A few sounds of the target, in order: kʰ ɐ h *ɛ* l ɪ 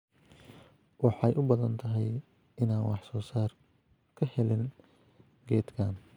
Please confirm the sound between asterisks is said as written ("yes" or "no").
yes